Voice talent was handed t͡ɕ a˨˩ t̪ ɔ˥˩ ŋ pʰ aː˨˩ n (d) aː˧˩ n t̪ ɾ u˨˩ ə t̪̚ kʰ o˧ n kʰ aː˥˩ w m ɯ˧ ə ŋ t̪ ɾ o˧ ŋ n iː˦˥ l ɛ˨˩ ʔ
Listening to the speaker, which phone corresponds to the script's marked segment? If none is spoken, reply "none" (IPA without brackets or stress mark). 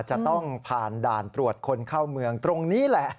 d